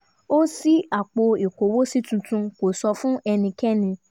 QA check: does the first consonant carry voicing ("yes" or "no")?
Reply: no